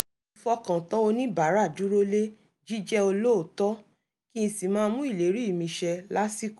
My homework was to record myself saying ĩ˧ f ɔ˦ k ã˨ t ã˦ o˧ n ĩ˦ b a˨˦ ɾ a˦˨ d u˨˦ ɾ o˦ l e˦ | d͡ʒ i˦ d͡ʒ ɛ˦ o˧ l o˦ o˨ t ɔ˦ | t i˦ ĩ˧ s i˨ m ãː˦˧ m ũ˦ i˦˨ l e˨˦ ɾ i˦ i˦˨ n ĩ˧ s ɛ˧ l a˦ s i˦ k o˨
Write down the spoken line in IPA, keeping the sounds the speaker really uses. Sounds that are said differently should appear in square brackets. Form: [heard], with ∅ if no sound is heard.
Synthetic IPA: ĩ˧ f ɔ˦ k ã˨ t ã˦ o˧ n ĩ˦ b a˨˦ ɾ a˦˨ d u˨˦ ɾ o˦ l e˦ | d͡ʒ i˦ d͡ʒ ɛ˦ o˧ l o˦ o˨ t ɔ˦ | [k] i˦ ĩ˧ s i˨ m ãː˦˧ m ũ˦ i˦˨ l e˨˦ ɾ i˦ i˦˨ [m] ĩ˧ [ʃ] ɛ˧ l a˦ s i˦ k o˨

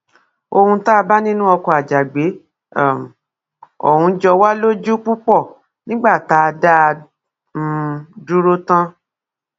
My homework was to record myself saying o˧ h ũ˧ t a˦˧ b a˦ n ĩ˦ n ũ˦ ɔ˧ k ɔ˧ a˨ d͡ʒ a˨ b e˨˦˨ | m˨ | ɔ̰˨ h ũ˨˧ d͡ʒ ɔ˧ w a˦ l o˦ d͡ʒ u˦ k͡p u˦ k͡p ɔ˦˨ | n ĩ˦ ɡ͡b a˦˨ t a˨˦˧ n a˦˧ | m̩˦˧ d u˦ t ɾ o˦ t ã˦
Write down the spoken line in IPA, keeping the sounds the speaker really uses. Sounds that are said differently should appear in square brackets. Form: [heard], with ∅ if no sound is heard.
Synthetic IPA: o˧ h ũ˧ t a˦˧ b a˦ n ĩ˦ n ũ˦ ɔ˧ k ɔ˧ a˨ d͡ʒ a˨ [ɡ͡b] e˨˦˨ | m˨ | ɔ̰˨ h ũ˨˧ d͡ʒ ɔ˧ w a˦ l o˦ d͡ʒ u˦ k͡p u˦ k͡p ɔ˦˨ | n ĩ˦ ɡ͡b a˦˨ t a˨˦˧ [d] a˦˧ | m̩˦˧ d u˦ [∅] ɾ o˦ t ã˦

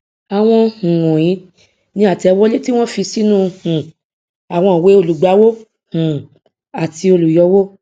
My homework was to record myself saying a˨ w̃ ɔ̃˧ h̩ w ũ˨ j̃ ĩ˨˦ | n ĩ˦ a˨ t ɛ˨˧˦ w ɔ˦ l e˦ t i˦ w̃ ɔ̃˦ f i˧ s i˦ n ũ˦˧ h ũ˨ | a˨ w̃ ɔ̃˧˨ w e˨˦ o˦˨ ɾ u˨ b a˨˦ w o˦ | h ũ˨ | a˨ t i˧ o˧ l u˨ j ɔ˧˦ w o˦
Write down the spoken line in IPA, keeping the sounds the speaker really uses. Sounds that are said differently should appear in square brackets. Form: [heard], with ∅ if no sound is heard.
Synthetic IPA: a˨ w̃ ɔ̃˧ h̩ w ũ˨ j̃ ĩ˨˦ | n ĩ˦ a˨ t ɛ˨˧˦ w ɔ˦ l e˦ t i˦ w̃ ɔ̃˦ f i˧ s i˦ n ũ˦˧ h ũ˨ | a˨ w̃ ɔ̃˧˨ w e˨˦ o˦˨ [l] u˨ [ɡ͡b] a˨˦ w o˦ | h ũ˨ | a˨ t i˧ o˧ l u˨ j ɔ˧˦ w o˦

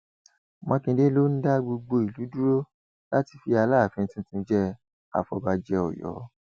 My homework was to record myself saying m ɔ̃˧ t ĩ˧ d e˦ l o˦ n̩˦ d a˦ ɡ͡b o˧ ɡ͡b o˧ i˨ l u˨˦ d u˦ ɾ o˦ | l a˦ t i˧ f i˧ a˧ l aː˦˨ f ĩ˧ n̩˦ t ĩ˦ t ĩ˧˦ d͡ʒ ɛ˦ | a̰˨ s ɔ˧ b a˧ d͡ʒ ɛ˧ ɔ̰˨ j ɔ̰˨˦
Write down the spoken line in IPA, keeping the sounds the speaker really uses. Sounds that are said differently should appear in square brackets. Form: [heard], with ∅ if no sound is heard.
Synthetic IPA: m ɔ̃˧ [k] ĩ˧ d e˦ l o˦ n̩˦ d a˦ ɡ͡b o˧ ɡ͡b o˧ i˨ l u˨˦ d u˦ ɾ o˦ | l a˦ t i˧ f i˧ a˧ l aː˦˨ f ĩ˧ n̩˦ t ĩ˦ t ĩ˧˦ d͡ʒ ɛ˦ | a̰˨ [f] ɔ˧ b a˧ d͡ʒ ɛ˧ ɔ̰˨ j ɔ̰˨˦

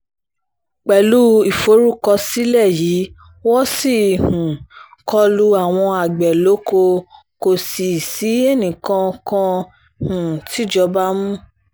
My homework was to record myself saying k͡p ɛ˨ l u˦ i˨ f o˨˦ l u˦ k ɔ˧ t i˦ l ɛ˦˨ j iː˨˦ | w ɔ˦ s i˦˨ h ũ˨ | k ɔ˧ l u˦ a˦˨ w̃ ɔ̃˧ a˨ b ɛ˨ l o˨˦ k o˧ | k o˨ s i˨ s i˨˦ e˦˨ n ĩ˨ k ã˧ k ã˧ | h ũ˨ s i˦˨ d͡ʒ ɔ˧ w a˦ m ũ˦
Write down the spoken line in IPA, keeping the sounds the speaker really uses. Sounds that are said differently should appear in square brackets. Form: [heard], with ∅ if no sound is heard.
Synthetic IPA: k͡p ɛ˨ l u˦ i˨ f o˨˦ [ɾ] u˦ k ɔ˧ [s] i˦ l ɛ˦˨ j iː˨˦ | w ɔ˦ s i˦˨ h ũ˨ | k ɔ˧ l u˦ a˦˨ w̃ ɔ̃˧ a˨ [ɡ͡b] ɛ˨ l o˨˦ k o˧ | k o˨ s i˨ s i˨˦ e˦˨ n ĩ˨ k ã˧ k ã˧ | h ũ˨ [t] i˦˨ d͡ʒ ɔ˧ [b] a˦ m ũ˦

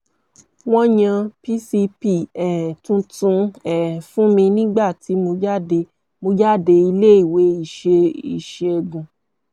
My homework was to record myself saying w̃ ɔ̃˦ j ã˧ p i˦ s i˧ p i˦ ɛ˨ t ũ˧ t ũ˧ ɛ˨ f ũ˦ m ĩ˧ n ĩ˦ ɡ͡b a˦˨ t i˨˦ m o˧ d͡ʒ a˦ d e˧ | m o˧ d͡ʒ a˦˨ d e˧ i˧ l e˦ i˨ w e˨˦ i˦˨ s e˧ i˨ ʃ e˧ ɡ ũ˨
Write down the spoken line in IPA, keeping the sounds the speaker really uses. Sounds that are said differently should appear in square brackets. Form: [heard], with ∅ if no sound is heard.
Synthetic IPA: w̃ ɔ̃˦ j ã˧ p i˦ s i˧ p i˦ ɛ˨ t ũ˧ t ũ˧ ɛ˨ f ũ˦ m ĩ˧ n ĩ˦ ɡ͡b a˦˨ t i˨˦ m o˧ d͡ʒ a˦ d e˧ | m o˧ d͡ʒ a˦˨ d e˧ i˧ l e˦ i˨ w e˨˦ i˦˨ [ʃ] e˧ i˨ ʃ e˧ ɡ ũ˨

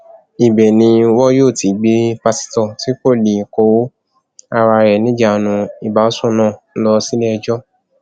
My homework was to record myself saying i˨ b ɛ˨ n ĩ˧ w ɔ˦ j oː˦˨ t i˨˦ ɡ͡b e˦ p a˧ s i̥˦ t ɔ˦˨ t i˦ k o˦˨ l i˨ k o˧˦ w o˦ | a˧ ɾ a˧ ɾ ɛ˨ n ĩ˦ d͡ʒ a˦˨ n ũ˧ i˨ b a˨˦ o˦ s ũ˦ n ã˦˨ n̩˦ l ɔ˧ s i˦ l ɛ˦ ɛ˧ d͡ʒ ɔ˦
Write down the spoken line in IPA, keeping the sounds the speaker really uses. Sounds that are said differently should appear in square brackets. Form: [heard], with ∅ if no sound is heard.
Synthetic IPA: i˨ b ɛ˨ n ĩ˧ w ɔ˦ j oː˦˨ t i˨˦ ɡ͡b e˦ p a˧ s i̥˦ t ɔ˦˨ t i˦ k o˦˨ l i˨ k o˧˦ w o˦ | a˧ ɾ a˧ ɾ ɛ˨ n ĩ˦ d͡ʒ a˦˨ n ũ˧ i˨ b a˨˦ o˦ s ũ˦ n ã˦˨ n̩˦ l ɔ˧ s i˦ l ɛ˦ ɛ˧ d͡ʒ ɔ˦

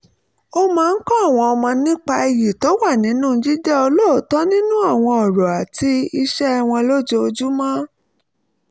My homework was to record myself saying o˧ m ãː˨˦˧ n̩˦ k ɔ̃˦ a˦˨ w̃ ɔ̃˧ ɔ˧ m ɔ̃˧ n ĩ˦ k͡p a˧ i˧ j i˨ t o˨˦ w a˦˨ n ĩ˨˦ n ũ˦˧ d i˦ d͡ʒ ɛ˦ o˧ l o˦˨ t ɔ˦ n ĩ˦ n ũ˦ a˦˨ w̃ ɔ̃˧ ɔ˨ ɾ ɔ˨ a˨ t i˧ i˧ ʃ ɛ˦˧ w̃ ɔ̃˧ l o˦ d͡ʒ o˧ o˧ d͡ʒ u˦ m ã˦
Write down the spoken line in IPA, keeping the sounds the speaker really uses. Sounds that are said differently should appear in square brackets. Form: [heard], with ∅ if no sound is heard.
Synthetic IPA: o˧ m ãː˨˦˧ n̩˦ k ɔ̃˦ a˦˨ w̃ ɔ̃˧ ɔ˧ m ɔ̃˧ n ĩ˦ k͡p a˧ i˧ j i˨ t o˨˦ w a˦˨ n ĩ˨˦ n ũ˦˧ [d͡ʒ] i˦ d͡ʒ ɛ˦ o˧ l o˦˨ t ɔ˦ n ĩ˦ n ũ˦ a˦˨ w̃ ɔ̃˧ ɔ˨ ɾ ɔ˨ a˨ t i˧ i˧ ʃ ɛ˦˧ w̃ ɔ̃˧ l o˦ d͡ʒ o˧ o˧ d͡ʒ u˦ m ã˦

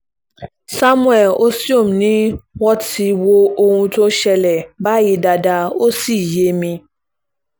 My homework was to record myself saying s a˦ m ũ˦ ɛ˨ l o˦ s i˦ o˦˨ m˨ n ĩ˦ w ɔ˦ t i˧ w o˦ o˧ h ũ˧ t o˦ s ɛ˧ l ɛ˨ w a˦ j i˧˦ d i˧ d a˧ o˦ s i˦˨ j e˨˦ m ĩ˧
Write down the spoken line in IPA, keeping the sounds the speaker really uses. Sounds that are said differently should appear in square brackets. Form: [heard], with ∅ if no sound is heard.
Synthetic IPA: s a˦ m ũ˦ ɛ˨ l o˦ s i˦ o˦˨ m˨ n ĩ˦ w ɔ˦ t i˧ w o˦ o˧ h ũ˧ t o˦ [ʃ] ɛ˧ l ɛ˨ [b] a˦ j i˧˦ d [a˧] d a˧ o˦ s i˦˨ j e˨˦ m ĩ˧

